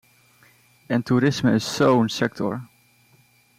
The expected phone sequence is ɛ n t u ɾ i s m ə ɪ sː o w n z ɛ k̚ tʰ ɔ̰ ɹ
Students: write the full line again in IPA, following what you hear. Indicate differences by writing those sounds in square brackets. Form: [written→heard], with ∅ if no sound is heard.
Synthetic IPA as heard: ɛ n t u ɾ [i→ɪ] s m ə ɪ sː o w n [z→s] ɛ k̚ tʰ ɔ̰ ɹ